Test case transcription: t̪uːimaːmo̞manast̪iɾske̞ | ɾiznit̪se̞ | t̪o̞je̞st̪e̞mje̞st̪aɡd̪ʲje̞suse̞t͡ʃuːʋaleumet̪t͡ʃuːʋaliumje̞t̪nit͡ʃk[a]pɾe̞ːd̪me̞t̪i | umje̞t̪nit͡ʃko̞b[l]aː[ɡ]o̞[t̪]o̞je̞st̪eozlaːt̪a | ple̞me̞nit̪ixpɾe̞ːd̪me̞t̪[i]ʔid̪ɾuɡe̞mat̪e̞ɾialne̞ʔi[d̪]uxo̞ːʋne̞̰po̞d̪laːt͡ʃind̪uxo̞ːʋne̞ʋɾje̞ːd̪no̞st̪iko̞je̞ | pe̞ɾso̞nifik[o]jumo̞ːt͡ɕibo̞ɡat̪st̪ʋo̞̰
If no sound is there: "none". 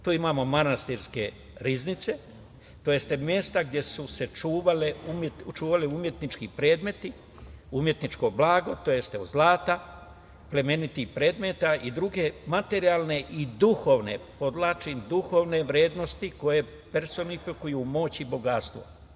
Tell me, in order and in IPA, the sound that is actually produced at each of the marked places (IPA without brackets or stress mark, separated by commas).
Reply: i, l, ɡ, t̪, a, d̪, u